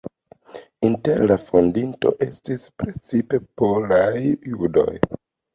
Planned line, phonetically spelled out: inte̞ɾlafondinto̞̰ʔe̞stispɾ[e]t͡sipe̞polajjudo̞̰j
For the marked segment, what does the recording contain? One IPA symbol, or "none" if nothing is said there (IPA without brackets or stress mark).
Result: e